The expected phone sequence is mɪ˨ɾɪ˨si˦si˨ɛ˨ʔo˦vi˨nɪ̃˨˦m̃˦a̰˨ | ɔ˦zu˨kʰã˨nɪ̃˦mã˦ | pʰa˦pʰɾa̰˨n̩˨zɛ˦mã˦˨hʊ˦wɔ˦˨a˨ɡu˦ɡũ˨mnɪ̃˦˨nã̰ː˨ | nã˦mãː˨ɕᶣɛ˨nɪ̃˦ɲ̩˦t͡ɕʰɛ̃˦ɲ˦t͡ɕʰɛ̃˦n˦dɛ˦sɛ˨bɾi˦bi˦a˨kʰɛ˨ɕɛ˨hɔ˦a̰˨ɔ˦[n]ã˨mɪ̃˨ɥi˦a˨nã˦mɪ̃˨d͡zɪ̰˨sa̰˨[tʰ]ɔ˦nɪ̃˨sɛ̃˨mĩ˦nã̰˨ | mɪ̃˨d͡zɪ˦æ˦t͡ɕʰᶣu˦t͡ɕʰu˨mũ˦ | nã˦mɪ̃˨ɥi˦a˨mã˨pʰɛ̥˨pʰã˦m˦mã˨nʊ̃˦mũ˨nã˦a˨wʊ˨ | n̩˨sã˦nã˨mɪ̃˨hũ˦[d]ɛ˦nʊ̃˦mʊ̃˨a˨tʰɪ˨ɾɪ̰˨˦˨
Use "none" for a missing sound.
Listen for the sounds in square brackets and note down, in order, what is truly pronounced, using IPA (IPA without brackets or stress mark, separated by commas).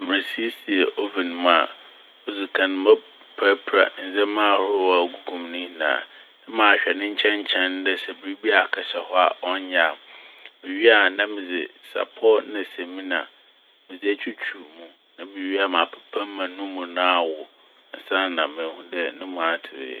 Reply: ɲ, pʰ, d